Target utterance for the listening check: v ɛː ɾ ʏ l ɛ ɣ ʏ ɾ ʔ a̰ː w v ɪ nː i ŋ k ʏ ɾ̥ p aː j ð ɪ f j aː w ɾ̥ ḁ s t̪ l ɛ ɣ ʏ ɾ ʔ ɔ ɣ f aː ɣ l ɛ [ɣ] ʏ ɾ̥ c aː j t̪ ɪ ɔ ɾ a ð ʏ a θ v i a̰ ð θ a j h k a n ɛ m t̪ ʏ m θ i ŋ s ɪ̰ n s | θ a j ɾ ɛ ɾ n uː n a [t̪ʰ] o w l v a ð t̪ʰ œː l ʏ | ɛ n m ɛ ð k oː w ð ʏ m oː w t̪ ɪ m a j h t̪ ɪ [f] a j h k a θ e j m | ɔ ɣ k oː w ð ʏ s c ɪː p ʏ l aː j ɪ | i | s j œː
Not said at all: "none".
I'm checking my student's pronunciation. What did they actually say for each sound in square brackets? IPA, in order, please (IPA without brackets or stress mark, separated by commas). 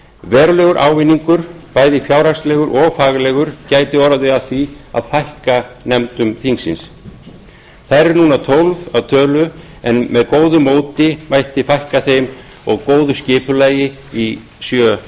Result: ɣ, t̪ʰ, f